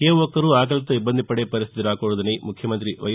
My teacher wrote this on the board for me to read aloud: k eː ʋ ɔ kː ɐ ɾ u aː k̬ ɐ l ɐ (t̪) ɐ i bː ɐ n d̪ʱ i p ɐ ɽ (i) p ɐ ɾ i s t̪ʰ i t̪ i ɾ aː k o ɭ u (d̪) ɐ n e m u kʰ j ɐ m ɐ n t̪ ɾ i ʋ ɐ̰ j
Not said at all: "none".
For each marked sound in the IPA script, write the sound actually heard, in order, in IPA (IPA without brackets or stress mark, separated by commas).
t̪, e, d̪